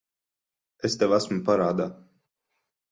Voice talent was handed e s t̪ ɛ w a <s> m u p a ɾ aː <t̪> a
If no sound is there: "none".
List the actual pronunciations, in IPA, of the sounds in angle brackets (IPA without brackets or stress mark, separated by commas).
s, d̪